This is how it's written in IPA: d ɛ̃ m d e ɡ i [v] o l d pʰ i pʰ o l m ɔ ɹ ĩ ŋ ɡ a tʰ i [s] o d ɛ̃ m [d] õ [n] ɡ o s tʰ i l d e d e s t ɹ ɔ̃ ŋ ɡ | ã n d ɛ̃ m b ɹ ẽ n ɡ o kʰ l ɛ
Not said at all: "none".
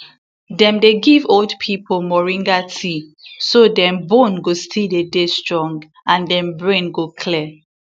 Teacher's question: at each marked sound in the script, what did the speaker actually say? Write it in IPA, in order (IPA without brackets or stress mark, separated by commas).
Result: v, s, b, n